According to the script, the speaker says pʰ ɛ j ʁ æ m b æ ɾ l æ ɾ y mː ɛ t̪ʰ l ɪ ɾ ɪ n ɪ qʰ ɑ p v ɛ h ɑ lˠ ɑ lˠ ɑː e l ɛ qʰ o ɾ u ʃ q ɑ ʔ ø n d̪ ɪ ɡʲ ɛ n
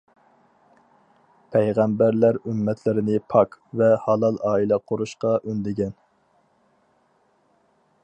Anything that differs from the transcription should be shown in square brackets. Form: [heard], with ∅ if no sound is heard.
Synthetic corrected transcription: pʰ ɛ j ʁ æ m b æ ɾ l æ ɾ y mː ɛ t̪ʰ l ɪ ɾ ɪ n ɪ [pʰ] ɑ [k] v ɛ h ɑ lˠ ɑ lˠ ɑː [i] l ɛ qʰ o ɾ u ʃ q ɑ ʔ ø n d̪ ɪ ɡʲ ɛ n